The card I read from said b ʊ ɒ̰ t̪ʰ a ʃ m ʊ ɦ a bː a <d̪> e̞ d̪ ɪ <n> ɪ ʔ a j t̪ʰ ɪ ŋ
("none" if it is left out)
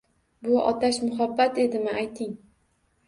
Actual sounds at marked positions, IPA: t̪, m

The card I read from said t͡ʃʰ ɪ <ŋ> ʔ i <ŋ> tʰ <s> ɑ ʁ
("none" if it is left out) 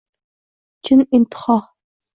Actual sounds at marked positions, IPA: n, n, χ

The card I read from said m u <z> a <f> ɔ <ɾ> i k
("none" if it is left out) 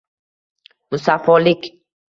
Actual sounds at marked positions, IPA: s, f, l

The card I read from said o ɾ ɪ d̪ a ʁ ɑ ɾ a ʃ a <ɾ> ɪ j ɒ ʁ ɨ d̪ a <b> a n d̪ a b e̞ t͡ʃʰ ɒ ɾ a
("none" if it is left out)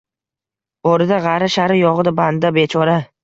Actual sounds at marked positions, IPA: ɾ, b

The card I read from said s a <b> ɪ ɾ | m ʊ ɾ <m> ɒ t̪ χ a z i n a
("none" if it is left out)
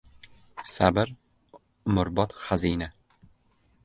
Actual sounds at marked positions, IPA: b, b

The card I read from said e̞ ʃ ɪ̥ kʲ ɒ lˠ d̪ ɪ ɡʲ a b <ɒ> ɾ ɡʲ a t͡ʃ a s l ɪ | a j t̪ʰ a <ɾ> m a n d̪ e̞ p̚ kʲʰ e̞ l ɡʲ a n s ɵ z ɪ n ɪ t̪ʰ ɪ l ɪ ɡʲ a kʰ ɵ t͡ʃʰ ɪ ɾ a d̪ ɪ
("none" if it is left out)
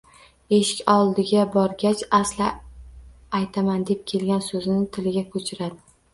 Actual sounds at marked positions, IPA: ɒ, none

